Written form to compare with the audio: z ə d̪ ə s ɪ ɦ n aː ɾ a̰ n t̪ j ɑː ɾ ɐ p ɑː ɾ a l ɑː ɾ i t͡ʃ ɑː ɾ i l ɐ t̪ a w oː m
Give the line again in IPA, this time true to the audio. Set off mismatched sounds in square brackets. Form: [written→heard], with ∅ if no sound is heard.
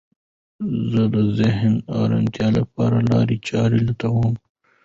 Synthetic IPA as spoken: z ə d̪ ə [s→z] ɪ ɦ n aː ɾ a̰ n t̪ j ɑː [ɾ→l] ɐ p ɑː ɾ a l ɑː ɾ i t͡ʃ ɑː ɾ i l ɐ t̪ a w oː m